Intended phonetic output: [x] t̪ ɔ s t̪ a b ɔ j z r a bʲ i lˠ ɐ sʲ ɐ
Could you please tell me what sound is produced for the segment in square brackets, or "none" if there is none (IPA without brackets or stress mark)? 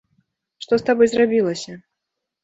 ʂ